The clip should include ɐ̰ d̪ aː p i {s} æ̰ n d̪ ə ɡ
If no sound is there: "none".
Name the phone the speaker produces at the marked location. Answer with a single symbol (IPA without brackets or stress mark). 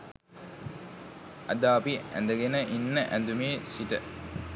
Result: none